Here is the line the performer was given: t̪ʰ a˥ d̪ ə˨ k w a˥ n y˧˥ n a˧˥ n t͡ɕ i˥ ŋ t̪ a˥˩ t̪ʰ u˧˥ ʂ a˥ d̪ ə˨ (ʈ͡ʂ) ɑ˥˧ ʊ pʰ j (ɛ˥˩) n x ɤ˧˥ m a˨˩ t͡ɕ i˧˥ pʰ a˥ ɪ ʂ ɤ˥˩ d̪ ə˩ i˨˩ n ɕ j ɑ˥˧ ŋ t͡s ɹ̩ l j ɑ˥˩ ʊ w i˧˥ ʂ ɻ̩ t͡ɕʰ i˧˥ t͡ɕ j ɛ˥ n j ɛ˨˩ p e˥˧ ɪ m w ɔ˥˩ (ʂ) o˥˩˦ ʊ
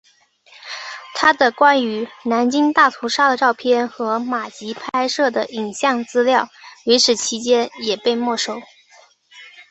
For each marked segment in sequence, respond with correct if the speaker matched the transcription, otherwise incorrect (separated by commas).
correct, correct, correct